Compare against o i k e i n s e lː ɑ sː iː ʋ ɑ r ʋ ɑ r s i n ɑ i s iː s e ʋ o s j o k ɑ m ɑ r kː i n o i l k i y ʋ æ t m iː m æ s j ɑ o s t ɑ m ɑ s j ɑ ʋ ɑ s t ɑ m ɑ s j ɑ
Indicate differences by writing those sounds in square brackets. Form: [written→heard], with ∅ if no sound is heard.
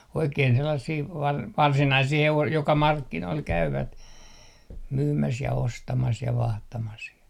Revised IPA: o i k e i n s e lː ɑ sː iː ʋ ɑ r ʋ ɑ r s i n ɑ i s iː [s→h] e ʋ o s j o k ɑ m ɑ r kː i n o i l k [i→æ] y ʋ æ t m [iː→yː] m æ s j ɑ o s t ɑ m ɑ s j ɑ ʋ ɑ [s→h] t ɑ m ɑ s j ɑ